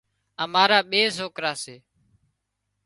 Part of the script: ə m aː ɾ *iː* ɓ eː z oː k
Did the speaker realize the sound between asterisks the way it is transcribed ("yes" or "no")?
no